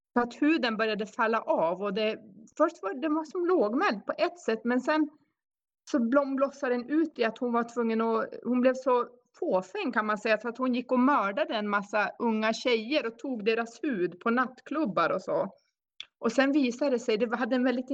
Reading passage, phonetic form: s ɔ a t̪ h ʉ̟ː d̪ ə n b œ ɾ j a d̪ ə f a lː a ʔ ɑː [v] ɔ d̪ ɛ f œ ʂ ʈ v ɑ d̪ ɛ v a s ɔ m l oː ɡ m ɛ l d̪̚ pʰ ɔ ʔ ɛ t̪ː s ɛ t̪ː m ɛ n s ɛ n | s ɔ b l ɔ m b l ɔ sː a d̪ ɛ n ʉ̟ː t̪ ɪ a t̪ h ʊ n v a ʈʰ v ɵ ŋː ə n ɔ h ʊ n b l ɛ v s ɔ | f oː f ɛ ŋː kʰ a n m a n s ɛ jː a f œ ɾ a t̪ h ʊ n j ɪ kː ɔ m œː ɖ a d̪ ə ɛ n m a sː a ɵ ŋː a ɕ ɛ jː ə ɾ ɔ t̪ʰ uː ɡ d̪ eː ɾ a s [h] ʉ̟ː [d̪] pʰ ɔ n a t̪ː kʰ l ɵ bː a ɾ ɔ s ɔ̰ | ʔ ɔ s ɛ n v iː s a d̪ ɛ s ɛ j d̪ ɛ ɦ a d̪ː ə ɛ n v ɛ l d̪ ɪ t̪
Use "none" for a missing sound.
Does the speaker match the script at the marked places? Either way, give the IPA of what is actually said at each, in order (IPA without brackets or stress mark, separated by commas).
v, h, d̪